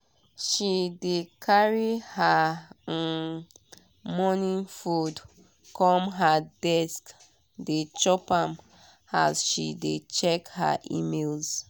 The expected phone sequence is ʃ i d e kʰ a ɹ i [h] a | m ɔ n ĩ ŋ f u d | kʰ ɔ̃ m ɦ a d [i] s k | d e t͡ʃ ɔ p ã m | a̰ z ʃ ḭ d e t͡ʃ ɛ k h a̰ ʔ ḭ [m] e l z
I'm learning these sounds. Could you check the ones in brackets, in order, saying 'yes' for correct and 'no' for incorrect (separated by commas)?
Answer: yes, no, yes